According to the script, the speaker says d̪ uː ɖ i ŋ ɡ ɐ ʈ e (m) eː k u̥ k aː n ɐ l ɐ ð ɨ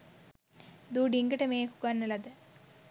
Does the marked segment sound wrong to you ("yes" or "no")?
no